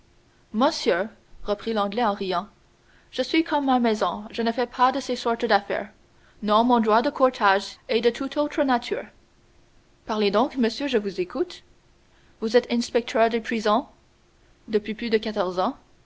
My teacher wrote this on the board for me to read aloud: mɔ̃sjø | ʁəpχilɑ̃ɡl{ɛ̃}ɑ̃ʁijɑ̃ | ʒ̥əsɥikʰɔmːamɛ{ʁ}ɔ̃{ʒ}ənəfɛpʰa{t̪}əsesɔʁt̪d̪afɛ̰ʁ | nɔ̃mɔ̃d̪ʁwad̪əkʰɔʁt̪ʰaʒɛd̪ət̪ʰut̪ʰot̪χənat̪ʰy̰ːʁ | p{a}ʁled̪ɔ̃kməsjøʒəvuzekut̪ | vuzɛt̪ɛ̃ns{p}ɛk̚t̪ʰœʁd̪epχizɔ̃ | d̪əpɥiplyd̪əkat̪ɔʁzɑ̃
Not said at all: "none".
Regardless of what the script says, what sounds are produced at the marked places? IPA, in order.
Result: ɛ, z, ʒ, d̪, a, p

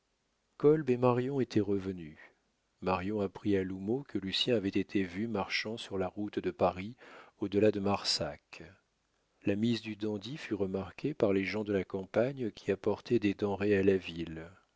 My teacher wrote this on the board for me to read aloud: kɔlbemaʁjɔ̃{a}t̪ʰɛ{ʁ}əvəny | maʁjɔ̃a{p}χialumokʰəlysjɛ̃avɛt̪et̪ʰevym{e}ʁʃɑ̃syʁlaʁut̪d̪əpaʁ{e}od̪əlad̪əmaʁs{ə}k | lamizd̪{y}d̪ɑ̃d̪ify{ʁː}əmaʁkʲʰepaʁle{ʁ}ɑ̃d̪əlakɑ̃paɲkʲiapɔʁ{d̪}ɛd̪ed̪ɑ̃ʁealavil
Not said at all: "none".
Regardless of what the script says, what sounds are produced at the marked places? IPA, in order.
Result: e, ʁ, p, a, i, a, y, ʁ, ʒ, t̪

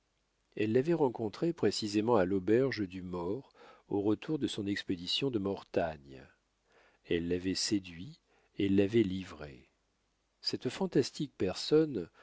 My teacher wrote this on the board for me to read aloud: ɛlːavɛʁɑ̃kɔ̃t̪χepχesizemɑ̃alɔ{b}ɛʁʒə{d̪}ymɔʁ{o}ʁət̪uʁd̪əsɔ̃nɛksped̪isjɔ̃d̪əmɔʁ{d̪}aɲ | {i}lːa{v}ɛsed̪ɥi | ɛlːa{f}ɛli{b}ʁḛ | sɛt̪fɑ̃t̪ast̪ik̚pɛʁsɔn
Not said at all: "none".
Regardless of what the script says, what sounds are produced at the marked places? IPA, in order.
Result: b, d̪, o, t̪, ɛ, v, v, v

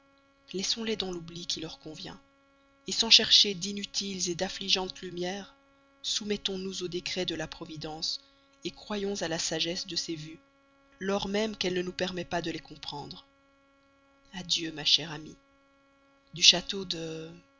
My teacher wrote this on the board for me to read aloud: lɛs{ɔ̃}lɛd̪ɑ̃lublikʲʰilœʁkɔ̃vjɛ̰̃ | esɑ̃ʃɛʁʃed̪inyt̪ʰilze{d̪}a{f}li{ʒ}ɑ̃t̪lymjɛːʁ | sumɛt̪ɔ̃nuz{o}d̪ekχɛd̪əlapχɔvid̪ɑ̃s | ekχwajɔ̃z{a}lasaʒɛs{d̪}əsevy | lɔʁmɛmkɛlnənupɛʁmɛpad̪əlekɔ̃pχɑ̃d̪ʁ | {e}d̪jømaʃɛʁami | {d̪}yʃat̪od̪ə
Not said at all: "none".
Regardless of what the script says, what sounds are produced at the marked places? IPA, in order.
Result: ɔ̃, d̪, f, ʒ, o, a, d̪, a, d̪

